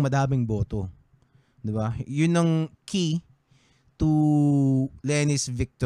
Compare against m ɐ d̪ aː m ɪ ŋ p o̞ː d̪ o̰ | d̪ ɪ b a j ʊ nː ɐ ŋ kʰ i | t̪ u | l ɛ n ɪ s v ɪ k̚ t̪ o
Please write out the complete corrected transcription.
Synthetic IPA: m ɐ d̪ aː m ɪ ŋ b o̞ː t̪ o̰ | d̪ ɪ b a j ʊ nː ɐ ŋ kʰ i | t̪ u | l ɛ n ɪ s v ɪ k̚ t̪ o